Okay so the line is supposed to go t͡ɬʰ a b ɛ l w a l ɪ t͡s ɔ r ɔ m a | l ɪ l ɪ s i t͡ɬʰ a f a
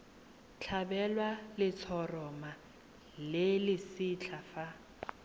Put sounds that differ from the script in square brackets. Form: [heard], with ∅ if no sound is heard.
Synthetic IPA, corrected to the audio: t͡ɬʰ a b ɛ l w a l ɪ [t͡sʰ] ɔ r ɔ m a | l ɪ l ɪ s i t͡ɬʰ a f a